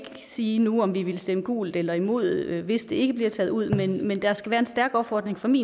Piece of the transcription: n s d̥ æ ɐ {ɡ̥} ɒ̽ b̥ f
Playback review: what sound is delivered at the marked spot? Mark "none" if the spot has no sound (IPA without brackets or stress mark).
ɡ̥